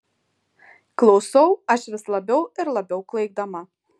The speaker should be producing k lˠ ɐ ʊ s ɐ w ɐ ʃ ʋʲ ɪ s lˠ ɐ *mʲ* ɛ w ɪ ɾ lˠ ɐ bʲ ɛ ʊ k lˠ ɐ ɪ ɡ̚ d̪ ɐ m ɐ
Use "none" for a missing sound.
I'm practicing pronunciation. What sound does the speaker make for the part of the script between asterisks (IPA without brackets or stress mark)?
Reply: bʲ